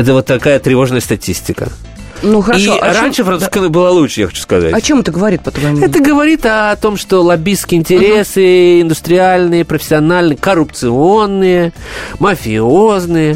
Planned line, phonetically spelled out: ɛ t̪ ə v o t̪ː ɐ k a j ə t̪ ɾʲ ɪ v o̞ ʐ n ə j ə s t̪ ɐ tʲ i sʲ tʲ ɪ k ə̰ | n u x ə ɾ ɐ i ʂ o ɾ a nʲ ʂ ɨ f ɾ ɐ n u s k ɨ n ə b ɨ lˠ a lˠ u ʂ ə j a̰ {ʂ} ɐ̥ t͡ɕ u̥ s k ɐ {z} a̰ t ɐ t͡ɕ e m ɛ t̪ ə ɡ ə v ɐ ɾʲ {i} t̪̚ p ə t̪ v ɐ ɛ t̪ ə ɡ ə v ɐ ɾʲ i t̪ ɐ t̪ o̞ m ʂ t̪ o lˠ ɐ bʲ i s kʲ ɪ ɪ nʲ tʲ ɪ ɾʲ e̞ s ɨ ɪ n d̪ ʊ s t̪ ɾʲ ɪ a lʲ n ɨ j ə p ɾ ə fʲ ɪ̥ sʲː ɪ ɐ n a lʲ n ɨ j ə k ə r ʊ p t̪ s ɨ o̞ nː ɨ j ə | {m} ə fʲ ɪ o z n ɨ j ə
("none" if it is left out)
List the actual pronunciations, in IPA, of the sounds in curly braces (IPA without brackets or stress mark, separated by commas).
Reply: x, z, i, m